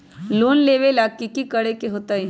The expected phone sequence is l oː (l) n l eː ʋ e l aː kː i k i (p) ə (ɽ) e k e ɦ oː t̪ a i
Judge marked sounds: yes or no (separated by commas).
no, no, yes